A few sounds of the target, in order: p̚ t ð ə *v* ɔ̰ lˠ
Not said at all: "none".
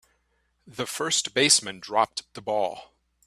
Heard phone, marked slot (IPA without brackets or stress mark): b